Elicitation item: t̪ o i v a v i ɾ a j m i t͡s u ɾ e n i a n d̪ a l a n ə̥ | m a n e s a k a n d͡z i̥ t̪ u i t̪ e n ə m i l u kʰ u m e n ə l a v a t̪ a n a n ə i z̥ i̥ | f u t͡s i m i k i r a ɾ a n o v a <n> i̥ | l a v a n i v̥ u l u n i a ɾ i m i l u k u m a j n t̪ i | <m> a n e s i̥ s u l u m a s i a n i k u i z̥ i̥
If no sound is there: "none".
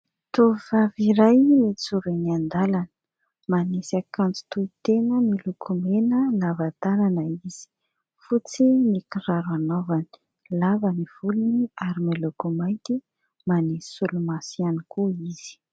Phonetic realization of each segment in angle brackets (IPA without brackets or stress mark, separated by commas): n, m